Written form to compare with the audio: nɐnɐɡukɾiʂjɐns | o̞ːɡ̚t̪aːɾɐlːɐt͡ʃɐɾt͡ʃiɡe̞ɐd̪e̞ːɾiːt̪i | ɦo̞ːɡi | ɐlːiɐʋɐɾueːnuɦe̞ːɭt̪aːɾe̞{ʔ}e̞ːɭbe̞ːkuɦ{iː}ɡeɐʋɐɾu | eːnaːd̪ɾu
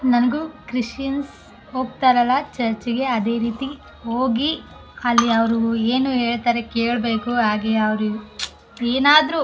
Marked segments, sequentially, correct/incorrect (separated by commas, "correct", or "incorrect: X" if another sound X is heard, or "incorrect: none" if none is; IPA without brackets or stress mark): incorrect: k, incorrect: aː